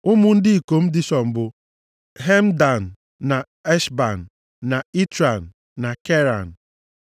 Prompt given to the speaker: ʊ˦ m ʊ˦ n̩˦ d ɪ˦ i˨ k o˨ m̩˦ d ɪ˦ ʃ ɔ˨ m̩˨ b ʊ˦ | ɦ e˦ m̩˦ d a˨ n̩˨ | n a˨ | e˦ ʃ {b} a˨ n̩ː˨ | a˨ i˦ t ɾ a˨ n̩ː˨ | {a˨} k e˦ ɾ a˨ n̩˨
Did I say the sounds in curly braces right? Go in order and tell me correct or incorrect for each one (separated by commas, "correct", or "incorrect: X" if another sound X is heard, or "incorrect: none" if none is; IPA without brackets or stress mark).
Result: correct, correct